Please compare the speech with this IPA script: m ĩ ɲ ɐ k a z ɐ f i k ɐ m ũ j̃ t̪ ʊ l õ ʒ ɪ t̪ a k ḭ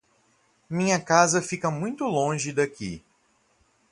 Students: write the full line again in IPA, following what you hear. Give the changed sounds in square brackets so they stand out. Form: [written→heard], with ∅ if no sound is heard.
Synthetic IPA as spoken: m ĩ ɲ ɐ k a z ɐ f i k ɐ m ũ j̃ t̪ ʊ l õ ʒ ɪ [t̪→d̪] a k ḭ